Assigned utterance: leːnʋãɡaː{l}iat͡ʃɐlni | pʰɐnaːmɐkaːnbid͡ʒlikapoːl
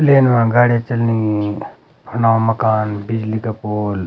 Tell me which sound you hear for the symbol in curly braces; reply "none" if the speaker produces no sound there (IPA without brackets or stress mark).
ɽ